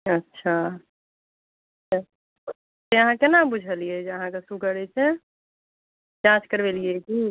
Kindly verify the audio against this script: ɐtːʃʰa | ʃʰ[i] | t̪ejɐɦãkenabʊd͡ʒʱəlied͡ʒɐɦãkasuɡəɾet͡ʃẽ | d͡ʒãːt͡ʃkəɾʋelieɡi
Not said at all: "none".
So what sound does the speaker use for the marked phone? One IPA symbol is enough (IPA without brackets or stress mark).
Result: a